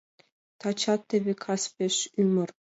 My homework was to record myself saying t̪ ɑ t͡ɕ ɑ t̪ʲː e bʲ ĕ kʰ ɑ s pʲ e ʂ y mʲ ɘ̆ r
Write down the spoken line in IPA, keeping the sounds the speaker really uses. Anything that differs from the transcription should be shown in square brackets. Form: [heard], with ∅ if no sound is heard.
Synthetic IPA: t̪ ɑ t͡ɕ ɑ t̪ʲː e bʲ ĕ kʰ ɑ s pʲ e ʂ y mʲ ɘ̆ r